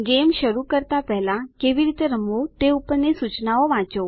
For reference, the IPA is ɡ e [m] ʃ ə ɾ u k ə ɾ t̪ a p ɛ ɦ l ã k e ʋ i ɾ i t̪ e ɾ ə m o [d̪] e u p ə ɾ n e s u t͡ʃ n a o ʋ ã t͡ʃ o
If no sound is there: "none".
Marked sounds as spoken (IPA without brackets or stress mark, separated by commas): m, t̪